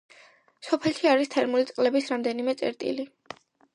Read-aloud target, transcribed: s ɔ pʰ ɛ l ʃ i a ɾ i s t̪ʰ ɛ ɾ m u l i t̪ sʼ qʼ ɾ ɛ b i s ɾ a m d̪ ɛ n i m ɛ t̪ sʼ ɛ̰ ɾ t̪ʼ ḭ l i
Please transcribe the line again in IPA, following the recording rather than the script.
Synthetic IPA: s ɔ pʰ ɛ l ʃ i a ɾ i s t̪ʰ ɛ ɾ m u l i t̪ sʼ qʼ l ɛ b i s ɾ a m d̪ ɛ n i m ɛ t̪ sʼ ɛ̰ ɾ t̪ʼ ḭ l i

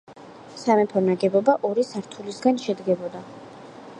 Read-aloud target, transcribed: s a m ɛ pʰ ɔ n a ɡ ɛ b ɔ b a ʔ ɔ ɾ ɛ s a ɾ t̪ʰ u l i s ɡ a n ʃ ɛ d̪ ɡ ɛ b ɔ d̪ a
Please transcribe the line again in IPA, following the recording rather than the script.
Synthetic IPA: s a m ɛ pʰ ɔ n a ɡ ɛ b ɔ b a ʔ ɔ ɾ i s a ɾ t̪ʰ u l i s ɡ a n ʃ ɛ d̪ ɡ ɛ b ɔ d̪ a

